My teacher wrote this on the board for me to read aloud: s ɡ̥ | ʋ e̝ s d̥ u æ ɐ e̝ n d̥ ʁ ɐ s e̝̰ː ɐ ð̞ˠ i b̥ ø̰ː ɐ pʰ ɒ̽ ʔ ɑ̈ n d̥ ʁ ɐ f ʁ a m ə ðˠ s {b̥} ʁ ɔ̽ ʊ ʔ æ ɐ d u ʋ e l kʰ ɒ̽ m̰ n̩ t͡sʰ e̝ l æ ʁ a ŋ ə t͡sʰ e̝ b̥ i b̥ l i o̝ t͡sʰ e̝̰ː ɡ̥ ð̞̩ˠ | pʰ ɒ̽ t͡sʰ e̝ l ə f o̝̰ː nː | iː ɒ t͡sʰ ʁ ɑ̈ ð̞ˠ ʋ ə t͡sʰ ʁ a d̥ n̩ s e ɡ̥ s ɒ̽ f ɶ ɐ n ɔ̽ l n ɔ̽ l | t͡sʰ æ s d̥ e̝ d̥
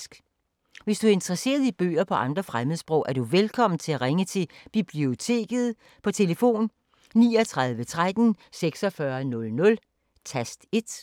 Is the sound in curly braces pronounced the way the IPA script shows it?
yes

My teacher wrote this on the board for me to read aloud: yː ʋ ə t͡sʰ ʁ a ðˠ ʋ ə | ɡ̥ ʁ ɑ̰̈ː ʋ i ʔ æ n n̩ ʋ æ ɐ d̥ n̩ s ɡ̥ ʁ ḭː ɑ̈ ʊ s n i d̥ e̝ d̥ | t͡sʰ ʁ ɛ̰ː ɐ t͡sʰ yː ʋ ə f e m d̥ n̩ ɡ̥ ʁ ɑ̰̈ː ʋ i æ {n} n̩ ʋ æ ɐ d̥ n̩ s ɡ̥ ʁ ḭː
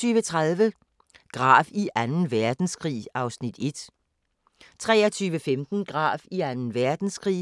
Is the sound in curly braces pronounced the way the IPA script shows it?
yes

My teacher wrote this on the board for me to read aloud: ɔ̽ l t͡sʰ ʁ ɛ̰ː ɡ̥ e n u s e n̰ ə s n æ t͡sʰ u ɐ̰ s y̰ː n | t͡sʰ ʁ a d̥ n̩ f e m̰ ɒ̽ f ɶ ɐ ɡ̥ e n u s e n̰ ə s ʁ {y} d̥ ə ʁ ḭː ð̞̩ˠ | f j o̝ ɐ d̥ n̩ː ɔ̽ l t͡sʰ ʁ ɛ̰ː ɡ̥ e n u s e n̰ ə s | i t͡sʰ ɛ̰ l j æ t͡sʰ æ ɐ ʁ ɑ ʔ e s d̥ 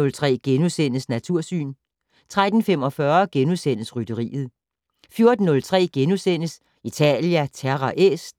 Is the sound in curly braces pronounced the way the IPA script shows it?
yes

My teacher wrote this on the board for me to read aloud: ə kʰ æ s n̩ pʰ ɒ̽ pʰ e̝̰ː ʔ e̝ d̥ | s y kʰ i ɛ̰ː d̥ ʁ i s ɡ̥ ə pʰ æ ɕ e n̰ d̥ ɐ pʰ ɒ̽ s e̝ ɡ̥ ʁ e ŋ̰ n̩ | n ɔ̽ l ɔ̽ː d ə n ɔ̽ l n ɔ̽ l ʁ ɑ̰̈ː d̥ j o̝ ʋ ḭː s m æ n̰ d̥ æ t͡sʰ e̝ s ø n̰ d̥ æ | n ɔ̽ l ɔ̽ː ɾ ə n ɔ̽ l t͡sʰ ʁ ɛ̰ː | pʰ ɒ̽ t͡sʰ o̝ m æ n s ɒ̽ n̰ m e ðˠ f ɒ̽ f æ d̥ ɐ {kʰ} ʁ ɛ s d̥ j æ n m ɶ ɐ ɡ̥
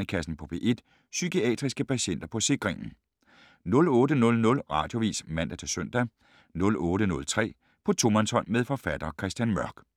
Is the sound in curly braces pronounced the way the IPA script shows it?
yes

